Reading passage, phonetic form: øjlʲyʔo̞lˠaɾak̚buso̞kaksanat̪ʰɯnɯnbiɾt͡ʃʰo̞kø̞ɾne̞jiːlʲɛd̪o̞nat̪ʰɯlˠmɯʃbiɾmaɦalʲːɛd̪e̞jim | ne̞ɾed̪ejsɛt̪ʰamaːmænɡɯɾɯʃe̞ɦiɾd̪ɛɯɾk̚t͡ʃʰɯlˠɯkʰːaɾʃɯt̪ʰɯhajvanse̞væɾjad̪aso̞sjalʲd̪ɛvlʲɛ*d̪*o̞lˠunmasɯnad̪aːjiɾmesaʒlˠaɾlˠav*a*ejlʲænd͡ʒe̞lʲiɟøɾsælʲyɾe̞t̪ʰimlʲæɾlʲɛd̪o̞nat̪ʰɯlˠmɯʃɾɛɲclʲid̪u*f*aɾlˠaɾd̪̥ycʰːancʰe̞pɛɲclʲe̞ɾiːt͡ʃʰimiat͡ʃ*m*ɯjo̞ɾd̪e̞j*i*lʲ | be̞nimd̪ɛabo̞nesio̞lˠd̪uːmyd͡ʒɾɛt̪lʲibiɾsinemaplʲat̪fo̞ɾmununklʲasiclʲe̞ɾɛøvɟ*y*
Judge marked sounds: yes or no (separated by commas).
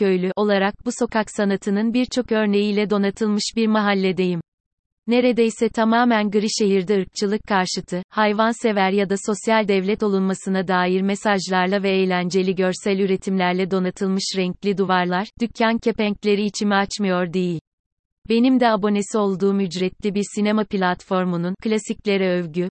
no, no, no, yes, yes, yes